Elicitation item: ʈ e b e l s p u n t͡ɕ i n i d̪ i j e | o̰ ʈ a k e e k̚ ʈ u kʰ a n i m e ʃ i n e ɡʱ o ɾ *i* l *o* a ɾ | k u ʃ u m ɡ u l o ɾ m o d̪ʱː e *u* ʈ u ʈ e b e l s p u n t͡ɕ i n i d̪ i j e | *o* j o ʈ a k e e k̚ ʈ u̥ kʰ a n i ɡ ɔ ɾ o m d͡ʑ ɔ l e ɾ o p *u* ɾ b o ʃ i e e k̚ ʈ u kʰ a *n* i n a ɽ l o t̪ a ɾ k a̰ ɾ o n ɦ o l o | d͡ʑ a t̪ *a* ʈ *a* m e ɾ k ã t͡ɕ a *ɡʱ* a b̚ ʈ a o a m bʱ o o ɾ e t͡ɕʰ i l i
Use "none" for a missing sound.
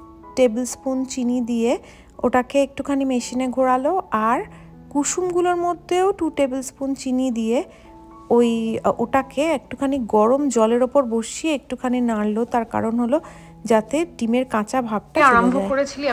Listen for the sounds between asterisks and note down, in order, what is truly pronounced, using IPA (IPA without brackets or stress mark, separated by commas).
a, o, o, o, o, n, e, i, bʱ